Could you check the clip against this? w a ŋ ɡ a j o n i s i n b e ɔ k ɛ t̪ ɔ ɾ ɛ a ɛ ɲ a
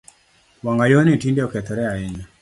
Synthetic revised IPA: w a ŋ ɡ a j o n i t i n d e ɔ k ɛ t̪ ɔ ɾ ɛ a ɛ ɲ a